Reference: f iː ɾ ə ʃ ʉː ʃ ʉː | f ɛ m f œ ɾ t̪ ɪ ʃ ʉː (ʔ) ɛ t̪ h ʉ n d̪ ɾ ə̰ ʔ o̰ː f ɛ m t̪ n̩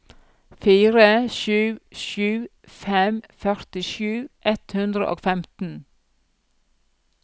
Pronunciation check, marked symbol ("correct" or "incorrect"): correct